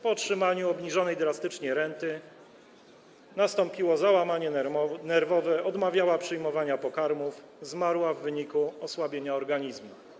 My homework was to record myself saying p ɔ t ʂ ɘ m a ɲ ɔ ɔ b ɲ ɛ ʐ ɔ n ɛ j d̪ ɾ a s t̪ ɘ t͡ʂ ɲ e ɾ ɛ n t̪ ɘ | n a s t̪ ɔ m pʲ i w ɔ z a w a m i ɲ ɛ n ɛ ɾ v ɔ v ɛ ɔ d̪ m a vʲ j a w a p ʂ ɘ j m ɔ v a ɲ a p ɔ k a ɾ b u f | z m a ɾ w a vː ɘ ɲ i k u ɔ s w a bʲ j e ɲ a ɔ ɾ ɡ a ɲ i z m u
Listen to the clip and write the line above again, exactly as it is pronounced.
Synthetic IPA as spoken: p ɔ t ʂ ɘ m a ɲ u ɔ b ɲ i ʐ ɔ n ɛ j d̪ ɾ a s t̪ ɘ t͡ʂ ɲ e ɾ ɛ n t̪ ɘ | n a s t̪ ɔ m pʲ i w ɔ z a w a m a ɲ ɛ n ɛ ɾ v ɔ v ɛ ɔ d̪ m a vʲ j a w a p ʂ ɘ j m ɔ v a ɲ a p ɔ k a ɾ m u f | z m a ɾ w a vː ɘ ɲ i k u ɔ s w a bʲ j e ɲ a ɔ ɾ ɡ a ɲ i z m u

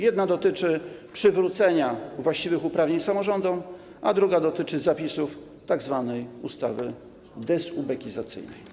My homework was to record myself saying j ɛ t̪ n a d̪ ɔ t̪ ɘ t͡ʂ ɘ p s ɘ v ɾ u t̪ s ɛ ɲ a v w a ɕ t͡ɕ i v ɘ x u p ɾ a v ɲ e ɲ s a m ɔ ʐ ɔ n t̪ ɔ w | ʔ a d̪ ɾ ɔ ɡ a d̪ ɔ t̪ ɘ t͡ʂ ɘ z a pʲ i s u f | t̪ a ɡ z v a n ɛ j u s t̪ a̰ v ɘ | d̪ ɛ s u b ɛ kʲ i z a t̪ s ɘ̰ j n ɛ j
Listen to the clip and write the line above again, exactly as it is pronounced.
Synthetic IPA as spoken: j ɛ d̪ n a d̪ ɔ t̪ ɘ t͡ʂ ɘ p ʂ ɘ v ɾ u t̪ s ɛ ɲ a v w a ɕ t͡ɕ i v ɘ x u p ɾ a v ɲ e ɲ s a m ɔ ʐ ɔ n d̪ ɔ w | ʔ a d̪ ɾ u ɡ a d̪ ɔ t̪ ɘ t͡ʂ ɘ z a pʲ i s u f | t̪ a ɡ z v a n ɛ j u s t̪ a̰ v ɘ | d̪ ɛ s u b ɛ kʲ i z a t̪ s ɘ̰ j n ɛ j

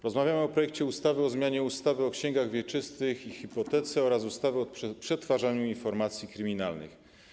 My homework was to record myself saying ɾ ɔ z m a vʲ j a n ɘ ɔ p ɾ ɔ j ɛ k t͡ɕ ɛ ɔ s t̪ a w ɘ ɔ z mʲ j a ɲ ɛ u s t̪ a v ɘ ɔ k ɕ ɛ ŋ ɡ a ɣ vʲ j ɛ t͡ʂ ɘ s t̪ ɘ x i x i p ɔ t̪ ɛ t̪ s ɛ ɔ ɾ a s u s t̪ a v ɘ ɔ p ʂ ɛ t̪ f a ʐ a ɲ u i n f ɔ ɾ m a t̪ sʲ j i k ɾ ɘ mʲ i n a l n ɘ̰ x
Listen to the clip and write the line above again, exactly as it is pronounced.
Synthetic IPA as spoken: ɾ ɔ z m a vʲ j a m ɘ ɔ p ɾ ɔ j ɛ k t͡ɕ ɛ u s t̪ a v ɘ ɔ z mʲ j a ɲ ɛ u s t̪ a v ɘ ɔ k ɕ ɛ ŋ ɡ a ɣ vʲ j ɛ t͡ʂ ɘ s t̪ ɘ x i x i p ɔ t̪ ɛ t̪ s ɛ ɔ ɾ a s u s t̪ a v ɘ ɔ p ʂ ɛ t̪ f a ʐ a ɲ u i n f ɔ ɾ m a t̪ sʲ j i k ɾ ɘ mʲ i n a l n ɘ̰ x

